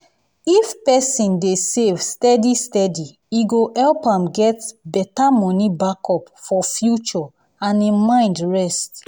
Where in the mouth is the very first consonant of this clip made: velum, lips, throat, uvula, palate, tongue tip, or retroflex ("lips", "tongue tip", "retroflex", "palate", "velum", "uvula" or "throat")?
lips